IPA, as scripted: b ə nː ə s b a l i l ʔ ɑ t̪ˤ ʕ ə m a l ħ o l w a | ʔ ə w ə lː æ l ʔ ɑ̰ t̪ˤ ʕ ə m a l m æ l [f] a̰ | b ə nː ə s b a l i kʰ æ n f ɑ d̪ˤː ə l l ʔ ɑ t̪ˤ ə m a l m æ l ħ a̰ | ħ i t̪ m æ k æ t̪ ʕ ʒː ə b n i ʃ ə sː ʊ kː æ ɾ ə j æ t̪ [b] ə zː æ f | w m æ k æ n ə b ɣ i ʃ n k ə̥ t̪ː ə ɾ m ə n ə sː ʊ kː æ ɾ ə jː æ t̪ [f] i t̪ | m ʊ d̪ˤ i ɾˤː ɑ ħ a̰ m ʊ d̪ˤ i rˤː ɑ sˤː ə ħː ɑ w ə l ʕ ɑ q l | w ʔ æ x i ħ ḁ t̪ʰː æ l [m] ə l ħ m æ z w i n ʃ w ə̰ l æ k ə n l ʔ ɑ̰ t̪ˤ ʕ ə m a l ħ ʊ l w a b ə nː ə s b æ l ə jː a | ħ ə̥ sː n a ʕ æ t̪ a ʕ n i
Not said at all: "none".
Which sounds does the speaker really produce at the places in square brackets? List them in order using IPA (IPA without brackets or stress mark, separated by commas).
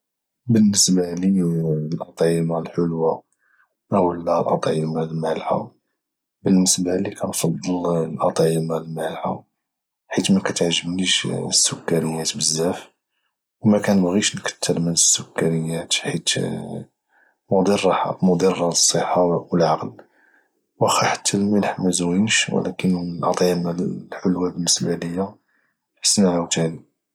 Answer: ħ, b, ħ, m